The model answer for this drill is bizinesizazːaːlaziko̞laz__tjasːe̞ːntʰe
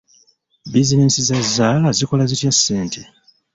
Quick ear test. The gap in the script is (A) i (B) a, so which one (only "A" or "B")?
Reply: A